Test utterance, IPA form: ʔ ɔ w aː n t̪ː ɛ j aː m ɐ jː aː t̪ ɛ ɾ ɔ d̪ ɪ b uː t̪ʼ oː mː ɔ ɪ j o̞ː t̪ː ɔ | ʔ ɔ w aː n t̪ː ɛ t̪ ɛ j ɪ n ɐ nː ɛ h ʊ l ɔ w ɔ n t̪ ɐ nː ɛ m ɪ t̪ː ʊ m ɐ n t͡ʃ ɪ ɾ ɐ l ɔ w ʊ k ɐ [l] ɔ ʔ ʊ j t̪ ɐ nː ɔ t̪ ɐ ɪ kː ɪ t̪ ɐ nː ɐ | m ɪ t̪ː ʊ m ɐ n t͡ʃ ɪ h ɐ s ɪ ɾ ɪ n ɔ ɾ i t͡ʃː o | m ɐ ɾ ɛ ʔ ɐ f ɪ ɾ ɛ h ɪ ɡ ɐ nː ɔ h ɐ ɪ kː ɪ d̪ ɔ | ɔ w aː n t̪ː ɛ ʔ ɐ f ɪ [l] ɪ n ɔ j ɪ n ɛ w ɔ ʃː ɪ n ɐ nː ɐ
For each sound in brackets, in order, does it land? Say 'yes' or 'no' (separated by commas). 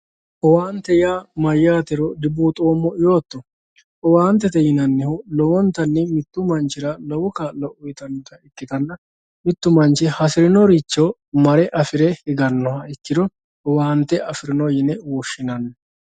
yes, no